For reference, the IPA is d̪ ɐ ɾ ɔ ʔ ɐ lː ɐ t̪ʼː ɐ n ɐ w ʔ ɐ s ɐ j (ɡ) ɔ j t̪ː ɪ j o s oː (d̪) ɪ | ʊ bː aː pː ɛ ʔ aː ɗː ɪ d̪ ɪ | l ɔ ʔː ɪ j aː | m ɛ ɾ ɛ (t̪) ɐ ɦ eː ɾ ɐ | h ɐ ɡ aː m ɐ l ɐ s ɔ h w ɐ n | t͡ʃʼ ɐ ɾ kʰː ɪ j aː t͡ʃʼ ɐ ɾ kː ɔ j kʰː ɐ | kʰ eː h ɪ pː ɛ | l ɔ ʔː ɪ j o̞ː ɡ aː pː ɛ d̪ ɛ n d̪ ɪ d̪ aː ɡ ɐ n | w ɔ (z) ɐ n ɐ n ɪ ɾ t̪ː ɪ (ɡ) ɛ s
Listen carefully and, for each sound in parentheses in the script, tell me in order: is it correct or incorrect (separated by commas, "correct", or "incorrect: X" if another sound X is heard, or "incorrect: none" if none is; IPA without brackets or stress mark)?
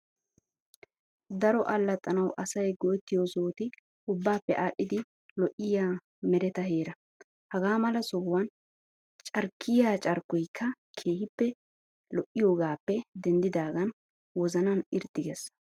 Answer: correct, incorrect: t̪, correct, correct, correct